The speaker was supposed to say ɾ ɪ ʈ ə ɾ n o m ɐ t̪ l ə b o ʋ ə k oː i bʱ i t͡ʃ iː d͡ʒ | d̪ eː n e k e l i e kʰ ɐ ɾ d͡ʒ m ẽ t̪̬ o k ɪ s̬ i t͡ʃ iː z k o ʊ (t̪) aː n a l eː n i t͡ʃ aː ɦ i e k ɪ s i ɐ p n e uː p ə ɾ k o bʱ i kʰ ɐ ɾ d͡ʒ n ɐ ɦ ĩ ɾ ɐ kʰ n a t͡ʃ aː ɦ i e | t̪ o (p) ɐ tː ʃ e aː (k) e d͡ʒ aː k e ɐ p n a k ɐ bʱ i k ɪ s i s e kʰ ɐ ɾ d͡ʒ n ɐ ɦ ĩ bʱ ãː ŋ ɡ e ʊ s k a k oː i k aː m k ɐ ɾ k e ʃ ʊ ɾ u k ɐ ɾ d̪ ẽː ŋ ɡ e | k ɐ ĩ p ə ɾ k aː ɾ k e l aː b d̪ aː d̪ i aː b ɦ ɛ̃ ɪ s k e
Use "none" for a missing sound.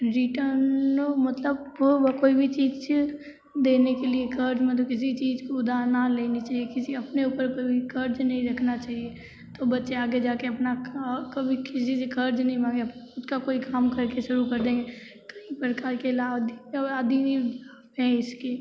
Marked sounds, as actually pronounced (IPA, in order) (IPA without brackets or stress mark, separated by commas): d̪, b, ɡ